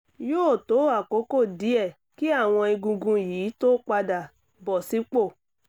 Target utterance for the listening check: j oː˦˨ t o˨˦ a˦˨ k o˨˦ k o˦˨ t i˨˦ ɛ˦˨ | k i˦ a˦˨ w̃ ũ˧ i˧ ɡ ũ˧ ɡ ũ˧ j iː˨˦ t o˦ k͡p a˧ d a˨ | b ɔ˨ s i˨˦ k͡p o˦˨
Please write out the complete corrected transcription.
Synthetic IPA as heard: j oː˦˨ t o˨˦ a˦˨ k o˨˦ k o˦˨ d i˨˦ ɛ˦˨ | k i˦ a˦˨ w̃ ɔ̃˧ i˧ ɡ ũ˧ ɡ ũ˧ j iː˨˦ t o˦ k͡p a˧ d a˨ | b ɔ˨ s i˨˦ k͡p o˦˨